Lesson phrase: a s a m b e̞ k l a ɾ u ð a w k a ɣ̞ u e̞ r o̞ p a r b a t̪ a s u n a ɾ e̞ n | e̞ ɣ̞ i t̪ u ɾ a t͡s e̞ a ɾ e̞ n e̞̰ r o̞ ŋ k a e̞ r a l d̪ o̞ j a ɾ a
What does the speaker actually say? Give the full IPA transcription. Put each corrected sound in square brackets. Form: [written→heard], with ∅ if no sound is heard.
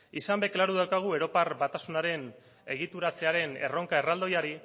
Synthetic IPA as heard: [a→i] s a m b e̞ k l a ɾ u ð a w k a ɣ̞ u e̞ [r→ɾ] o̞ p a r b a t̪ a s u n a ɾ e̞ n | e̞ ɣ̞ i t̪ u ɾ a t͡s e̞ a ɾ e̞ n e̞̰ r o̞ ŋ k a e̞ r a l d̪ o̞ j a ɾ [a→i]